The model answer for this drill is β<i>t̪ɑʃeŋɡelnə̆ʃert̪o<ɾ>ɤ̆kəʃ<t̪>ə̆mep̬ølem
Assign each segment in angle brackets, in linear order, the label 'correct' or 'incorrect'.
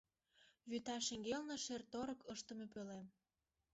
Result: incorrect, correct, correct

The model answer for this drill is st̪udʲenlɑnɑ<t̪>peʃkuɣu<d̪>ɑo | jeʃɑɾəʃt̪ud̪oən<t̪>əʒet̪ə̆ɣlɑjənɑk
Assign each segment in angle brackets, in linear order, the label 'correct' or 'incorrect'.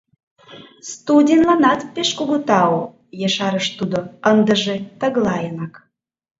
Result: correct, incorrect, incorrect

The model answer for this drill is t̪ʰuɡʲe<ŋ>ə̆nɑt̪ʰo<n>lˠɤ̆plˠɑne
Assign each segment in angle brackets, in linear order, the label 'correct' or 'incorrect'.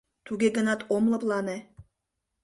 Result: incorrect, incorrect

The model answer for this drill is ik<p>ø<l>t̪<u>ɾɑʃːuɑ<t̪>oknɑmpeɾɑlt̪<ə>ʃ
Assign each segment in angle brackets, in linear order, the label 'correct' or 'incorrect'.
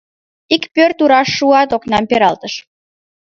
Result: correct, incorrect, correct, correct, correct

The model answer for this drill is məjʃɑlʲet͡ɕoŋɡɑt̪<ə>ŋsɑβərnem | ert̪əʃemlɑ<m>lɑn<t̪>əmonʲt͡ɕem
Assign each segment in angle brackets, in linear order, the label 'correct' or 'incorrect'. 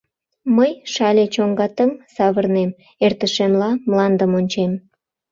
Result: correct, correct, incorrect

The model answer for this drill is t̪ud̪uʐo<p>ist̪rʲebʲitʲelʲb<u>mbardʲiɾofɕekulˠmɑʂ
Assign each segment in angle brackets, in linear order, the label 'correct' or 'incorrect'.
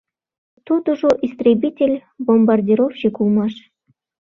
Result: incorrect, incorrect

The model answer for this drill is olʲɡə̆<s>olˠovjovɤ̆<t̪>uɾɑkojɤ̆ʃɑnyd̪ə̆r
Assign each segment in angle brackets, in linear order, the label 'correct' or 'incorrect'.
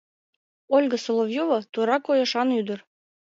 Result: correct, correct

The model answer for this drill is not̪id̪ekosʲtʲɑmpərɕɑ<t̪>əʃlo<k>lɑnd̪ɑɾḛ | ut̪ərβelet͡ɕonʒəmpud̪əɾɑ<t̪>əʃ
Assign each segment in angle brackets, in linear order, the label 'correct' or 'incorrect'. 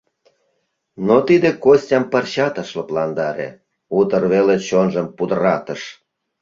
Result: correct, incorrect, correct

